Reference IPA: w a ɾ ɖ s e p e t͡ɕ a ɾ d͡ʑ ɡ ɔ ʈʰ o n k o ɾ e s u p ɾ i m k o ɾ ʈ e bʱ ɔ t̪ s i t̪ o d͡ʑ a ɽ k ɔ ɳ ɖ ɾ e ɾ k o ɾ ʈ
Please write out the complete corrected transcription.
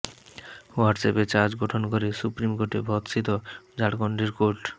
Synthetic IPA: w a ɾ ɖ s e p e t͡ɕ a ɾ d͡ʑ ɡ ɔ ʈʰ o n k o ɾ e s u p ɾ i m k o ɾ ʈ e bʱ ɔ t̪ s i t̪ o d͡ʑ a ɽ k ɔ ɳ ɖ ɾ e ɾ k o ɾ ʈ